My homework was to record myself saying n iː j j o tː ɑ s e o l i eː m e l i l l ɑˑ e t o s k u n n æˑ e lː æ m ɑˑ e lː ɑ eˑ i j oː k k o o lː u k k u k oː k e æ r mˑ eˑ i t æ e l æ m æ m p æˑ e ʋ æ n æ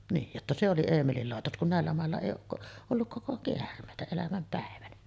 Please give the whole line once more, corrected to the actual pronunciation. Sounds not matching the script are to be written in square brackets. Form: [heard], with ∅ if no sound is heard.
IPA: n iː j j o tː ɑ s e o l i eː m e l i l l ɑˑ e t o s k u n n æˑ e lː æ m ɑˑ e lː ɑ eˑ i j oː k k o o lː u k k [o] k [o] k e æ r mˑ eˑ i t æ e l æ m æ m p æˑ e ʋ æ n æ